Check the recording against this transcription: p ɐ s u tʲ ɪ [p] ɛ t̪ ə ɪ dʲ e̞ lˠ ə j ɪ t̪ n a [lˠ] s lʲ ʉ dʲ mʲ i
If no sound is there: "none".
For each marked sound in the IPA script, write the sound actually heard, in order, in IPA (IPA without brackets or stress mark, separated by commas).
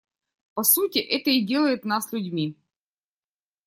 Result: ʔ, none